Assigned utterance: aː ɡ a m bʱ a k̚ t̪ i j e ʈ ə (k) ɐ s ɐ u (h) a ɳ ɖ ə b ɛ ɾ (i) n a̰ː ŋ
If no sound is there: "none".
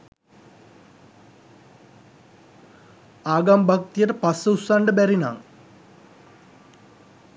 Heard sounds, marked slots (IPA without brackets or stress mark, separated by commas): p, s, i